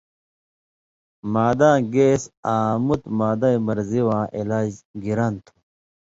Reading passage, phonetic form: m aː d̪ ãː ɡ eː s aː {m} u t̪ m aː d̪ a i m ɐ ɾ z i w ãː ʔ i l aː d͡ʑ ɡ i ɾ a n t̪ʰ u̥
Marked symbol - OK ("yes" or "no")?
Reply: yes